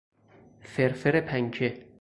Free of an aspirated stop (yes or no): no